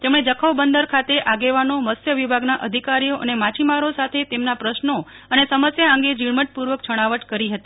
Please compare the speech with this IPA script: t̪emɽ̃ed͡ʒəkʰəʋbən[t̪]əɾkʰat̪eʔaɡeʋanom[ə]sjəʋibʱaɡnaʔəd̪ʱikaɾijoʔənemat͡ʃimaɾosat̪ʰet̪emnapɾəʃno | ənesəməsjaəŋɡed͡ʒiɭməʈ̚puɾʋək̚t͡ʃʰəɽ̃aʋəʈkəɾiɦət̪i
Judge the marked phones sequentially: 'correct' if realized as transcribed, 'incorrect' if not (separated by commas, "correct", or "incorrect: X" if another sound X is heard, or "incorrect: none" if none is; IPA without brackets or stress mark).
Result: incorrect: d̪, correct